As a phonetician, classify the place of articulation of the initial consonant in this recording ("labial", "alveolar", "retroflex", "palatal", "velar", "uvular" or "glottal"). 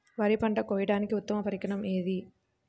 labial